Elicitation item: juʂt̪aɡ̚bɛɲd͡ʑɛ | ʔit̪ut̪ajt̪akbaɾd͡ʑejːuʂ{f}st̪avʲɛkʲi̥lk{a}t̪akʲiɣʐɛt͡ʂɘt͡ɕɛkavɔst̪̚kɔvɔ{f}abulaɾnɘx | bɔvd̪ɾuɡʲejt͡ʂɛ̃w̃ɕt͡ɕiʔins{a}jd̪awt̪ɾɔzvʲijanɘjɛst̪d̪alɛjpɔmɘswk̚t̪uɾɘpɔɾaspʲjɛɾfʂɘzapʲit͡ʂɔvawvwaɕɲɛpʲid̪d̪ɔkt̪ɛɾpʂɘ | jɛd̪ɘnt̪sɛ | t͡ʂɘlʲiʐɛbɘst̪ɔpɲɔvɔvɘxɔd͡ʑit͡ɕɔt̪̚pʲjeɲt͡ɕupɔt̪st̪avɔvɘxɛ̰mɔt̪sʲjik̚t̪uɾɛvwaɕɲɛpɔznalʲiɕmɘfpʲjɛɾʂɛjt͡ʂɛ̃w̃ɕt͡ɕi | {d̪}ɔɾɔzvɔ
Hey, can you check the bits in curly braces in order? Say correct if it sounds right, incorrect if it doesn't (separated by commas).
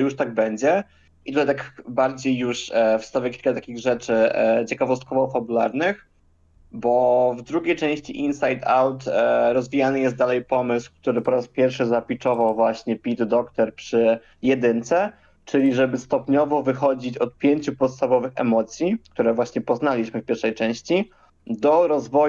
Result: correct, correct, correct, correct, correct